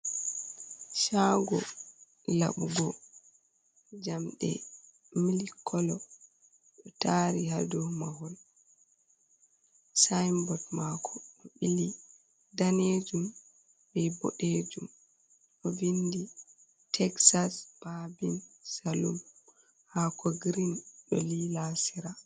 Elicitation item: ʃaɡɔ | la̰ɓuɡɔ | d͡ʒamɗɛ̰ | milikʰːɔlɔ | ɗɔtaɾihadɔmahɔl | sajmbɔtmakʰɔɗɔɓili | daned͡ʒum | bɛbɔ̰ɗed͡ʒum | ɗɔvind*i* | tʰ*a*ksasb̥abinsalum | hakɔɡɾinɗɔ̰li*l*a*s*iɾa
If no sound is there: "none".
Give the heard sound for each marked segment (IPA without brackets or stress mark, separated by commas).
i, ɛ, l, s